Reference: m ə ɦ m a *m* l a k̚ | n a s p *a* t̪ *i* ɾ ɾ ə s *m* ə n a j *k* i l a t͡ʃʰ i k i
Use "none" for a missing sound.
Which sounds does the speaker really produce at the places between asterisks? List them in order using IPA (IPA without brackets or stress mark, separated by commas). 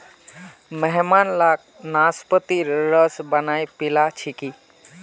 n, ə, i, b, p